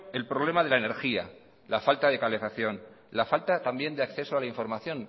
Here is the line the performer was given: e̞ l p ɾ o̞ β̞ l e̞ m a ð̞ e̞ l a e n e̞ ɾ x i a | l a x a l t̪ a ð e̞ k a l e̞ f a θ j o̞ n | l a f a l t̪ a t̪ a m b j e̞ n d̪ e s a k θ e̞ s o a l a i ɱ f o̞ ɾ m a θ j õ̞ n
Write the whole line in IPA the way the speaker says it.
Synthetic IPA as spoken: e̞ l p ɾ o̞ β̞ l e̞ m a ð̞ e̞ l a e n e̞ ɾ x i a | l a f a l t̪ a ð e̞ k a l e̞ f a θ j o̞ n | l a f a l t̪ a t̪ a m b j e̞ n d̪ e a k θ e̞ s o a l a i ɱ f o̞ ɾ m a θ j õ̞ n